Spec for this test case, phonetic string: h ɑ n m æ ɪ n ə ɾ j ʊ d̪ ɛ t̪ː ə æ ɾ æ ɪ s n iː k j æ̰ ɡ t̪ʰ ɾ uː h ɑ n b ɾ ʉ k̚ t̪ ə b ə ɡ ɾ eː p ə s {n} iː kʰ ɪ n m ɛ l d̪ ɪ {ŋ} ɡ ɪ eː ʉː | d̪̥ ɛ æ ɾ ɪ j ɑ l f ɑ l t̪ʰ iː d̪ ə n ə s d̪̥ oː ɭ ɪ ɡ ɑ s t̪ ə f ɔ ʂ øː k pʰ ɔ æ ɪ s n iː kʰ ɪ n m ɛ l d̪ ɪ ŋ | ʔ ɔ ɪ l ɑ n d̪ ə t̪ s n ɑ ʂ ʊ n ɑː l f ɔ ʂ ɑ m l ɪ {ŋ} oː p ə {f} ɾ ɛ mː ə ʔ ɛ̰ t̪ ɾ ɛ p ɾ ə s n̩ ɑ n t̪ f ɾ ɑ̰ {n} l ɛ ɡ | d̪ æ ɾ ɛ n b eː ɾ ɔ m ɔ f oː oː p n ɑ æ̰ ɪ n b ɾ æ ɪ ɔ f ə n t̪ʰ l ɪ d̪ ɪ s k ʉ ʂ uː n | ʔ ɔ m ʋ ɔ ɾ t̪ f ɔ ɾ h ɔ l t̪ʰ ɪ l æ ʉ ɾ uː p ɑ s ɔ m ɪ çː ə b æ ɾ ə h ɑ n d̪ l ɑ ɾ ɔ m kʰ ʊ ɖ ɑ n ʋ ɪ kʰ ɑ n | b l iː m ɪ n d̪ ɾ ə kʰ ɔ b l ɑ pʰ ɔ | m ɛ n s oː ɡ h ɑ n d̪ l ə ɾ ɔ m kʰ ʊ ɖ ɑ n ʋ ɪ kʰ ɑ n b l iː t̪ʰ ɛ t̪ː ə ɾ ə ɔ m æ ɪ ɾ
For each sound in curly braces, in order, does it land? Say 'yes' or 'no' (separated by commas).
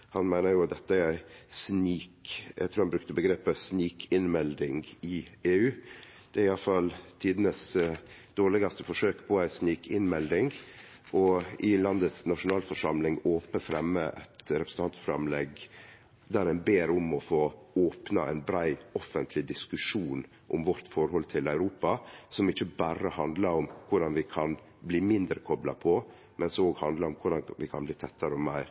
yes, yes, yes, yes, no